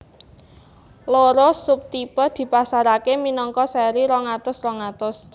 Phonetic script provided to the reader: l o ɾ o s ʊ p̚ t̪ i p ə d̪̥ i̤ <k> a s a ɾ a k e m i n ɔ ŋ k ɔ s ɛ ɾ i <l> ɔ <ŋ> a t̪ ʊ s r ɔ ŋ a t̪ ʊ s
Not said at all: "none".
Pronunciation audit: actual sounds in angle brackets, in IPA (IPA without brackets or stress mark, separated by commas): p, ɾ, ŋ